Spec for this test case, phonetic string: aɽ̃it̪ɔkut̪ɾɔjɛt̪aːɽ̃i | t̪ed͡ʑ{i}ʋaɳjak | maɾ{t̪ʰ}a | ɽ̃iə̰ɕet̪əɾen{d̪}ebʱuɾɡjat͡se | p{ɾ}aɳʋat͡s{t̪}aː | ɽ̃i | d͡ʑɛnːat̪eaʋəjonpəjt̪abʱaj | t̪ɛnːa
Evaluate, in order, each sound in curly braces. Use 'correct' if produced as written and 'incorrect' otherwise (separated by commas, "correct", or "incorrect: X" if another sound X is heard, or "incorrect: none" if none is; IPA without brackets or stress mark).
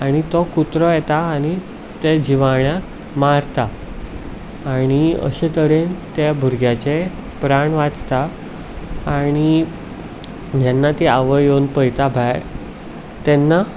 correct, incorrect: t̪, incorrect: t̪, correct, correct